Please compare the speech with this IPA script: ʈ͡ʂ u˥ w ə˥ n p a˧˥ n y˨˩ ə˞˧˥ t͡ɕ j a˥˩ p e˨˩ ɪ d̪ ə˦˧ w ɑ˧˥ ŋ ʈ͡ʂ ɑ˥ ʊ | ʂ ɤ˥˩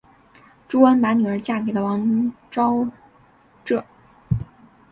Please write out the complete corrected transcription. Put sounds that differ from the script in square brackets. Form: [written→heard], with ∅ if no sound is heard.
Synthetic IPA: ʈ͡ʂ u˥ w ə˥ n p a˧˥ n y˨˩ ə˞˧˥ t͡ɕ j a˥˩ [p→k] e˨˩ ɪ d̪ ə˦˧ w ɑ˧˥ ŋ ʈ͡ʂ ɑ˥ ʊ | [ʂ→ʈ͡ʂ] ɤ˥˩